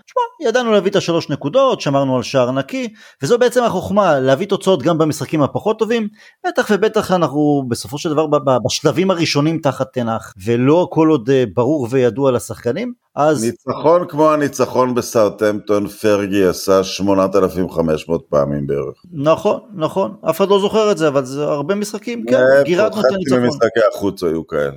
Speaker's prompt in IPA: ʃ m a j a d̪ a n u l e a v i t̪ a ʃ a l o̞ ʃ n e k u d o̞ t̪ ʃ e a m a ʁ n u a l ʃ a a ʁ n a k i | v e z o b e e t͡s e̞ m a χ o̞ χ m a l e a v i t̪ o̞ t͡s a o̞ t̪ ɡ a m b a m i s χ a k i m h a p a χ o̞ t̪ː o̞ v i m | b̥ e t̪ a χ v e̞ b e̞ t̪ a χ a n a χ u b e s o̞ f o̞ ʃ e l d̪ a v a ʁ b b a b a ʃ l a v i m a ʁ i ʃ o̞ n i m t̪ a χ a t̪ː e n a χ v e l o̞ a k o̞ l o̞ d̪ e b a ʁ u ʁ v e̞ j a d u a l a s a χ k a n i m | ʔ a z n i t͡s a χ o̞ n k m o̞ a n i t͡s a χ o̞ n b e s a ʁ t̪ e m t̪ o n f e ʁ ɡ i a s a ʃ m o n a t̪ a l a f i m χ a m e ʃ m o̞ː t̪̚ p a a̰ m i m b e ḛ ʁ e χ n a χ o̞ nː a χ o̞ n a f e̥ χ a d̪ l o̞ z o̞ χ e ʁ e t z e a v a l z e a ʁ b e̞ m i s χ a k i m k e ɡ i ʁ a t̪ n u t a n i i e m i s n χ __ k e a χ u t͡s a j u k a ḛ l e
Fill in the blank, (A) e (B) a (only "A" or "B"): B